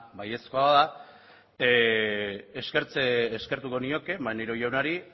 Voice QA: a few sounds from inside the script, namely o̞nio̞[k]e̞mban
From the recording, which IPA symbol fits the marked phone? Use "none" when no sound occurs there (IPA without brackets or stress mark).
k